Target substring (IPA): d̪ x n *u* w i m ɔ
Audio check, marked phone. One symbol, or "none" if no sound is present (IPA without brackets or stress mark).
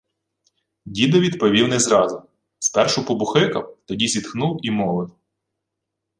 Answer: u